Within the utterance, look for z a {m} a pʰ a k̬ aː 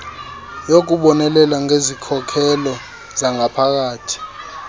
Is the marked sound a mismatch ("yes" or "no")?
yes